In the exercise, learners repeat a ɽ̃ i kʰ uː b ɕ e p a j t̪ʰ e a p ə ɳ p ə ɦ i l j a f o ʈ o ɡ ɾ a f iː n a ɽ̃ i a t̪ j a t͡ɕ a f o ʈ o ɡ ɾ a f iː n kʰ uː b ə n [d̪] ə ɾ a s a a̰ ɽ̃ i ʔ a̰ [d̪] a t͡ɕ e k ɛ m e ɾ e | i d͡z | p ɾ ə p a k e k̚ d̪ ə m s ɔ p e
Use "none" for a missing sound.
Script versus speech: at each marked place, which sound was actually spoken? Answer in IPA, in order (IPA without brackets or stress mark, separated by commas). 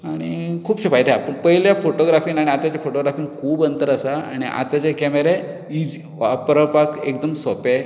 t̪, t̪